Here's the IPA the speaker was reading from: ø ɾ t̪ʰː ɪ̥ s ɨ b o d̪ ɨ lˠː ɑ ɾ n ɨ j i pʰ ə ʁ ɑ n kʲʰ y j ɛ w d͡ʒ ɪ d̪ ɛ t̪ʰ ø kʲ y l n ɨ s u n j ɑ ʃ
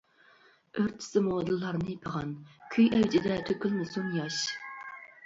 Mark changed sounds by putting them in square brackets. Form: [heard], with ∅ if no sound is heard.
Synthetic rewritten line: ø ɾ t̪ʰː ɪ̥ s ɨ [m] o d̪ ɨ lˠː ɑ ɾ n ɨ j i pʰ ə ʁ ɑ n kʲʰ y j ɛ w d͡ʒ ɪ d̪ ɛ t̪ʰ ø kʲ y l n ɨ s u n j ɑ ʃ

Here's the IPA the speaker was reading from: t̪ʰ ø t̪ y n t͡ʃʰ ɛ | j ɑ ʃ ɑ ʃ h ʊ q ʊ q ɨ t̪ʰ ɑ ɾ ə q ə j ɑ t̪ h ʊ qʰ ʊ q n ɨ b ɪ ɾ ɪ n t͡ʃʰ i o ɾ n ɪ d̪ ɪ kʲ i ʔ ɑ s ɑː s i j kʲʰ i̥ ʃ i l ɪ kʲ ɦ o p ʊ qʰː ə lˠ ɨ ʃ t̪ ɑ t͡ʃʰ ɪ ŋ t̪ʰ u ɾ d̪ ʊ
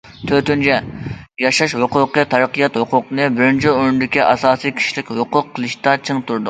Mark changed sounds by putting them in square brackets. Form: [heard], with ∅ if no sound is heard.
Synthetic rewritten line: t̪ʰ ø t̪ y n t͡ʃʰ ɛ | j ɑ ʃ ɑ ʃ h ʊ q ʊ q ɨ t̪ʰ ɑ ɾ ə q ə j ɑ t̪ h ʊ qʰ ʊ q n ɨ b ɪ ɾ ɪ n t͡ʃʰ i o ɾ n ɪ d̪ ɪ kʲ i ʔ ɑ s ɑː s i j kʲʰ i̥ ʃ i l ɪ kʲ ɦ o [q] ʊ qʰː ə lˠ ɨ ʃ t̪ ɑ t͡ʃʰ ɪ ŋ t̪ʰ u ɾ d̪ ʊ

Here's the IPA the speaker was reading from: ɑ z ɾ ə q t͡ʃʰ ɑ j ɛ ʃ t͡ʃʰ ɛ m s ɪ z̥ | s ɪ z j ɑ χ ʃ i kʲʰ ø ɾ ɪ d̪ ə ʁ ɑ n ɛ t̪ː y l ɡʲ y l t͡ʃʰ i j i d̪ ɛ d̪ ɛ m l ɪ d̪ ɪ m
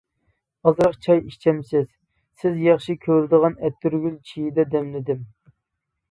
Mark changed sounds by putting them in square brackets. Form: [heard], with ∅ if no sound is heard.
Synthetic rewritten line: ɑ z ɾ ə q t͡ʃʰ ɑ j [i] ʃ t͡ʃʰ ɛ m s ɪ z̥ | s ɪ z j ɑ χ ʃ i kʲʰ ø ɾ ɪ d̪ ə ʁ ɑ n ɛ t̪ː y [ɾ] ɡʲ y l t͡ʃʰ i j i d̪ ɛ d̪ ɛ m l ɪ d̪ ɪ m

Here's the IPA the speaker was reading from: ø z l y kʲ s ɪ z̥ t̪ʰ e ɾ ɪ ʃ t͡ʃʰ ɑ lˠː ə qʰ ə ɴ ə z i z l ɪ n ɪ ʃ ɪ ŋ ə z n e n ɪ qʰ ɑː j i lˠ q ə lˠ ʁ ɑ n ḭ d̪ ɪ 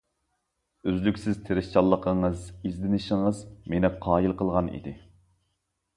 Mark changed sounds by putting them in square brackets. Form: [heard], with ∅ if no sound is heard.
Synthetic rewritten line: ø z l y kʲ s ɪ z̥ t̪ʰ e ɾ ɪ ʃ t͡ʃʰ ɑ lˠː ə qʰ ə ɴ ə z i z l ɪ n ɪ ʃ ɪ ŋ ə z [m] e n ɪ qʰ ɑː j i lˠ q ə lˠ ʁ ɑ n ḭ d̪ ɪ

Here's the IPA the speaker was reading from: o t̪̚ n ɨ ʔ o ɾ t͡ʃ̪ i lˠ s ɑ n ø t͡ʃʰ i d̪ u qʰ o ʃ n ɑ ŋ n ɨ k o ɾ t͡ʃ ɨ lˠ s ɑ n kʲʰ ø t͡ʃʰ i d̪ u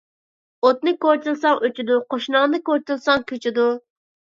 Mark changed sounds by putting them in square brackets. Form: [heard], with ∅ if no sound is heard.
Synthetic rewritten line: o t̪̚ n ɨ [k] o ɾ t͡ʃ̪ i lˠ s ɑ [ŋ] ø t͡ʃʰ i d̪ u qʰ o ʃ n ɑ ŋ n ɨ k o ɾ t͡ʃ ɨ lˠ s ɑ [ŋ] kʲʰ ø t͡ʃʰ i d̪ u

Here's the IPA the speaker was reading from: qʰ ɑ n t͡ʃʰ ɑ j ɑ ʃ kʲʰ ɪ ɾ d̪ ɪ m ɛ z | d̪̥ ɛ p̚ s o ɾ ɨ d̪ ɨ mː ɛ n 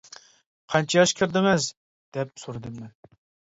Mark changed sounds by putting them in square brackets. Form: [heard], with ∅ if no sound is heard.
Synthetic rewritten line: qʰ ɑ n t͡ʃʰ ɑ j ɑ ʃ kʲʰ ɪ ɾ d̪ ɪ m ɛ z | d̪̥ ɛ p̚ s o ɾ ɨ d̪ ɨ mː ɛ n

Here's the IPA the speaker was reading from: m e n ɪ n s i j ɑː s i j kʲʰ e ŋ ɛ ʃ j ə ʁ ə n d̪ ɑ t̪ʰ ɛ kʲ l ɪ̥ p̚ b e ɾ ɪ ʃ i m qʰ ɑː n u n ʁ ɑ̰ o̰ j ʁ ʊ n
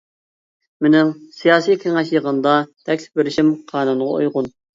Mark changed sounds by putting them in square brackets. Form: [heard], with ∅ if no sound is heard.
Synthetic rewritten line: m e n ɪ [ŋ] s i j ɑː s i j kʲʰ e ŋ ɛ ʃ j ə ʁ ə n d̪ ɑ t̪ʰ ɛ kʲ l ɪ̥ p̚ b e ɾ ɪ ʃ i m qʰ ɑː n u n ʁ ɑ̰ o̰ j ʁ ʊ n

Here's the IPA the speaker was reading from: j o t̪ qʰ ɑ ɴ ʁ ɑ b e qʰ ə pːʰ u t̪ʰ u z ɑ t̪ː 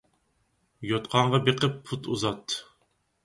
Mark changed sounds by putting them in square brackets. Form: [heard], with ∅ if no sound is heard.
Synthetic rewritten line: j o t̪ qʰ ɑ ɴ ʁ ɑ b e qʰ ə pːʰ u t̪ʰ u z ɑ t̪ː

